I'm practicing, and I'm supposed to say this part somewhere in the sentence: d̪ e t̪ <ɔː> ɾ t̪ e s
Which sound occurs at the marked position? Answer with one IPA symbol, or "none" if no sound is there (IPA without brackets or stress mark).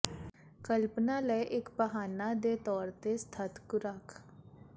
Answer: ɔː